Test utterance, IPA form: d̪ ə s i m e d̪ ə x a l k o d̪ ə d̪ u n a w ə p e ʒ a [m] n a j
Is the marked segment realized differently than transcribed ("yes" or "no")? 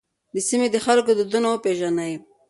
yes